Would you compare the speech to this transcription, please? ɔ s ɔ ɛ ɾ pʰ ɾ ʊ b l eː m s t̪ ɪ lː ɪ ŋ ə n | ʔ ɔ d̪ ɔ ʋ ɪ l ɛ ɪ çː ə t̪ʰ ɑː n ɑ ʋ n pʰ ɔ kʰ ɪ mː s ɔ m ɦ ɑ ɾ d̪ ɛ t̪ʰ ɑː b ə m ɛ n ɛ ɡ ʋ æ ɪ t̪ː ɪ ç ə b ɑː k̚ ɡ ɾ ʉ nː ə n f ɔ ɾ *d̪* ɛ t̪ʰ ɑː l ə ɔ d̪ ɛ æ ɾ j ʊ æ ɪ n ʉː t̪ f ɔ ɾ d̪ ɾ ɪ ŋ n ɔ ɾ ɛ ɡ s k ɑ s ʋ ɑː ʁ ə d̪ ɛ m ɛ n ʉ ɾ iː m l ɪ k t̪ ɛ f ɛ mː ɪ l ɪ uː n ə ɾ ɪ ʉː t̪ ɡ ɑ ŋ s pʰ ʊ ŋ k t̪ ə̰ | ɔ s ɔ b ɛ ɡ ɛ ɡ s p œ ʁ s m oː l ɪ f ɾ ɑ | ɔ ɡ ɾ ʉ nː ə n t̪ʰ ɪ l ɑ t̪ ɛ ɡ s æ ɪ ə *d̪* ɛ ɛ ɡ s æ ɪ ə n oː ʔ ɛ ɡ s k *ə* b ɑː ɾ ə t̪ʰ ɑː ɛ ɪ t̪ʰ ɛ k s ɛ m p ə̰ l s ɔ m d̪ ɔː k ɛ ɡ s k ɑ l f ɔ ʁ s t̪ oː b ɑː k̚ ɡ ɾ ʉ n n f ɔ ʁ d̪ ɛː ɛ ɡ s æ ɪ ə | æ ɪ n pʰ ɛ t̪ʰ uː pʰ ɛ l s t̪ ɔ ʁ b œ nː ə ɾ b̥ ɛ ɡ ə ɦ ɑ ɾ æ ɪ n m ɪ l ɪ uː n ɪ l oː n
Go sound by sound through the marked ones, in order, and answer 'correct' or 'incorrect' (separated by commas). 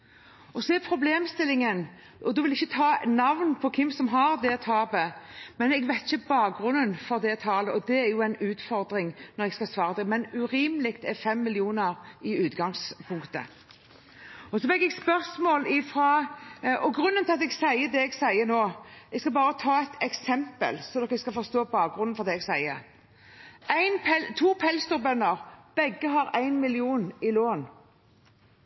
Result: correct, correct, incorrect